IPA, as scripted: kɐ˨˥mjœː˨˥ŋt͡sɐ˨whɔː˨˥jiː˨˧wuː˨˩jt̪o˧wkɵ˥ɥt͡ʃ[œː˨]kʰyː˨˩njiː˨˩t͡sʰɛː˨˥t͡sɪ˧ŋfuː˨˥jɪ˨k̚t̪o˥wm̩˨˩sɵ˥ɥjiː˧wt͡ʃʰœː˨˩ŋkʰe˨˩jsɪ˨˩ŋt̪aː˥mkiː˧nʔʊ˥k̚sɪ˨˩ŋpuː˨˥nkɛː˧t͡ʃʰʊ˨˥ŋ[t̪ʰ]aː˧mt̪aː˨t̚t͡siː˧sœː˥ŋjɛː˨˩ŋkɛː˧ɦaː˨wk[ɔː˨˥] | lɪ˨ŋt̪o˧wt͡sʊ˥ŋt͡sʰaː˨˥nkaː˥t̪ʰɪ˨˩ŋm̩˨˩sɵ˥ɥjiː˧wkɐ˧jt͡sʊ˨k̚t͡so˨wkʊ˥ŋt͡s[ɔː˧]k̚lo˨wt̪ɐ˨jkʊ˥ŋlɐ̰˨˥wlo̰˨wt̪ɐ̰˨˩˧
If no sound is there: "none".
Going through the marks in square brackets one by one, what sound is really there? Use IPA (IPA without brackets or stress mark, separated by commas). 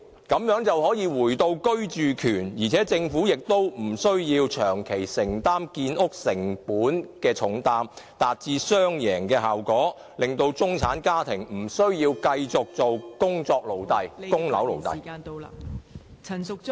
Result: yː˨, t̪, ɔː˨˥, ɔː˧